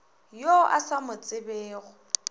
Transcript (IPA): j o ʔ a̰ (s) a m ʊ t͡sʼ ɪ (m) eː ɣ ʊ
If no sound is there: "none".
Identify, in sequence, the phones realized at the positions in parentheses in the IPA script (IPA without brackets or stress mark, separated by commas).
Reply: s, b